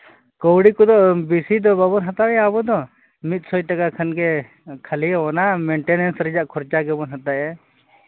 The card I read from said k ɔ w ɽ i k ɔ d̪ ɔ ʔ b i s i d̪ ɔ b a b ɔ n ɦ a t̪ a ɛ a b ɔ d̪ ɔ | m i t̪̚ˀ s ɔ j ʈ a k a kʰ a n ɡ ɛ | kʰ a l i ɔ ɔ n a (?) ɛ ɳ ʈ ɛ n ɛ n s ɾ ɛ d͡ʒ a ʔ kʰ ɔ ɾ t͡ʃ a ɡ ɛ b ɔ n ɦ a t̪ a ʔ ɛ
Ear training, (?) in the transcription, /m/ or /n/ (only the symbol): m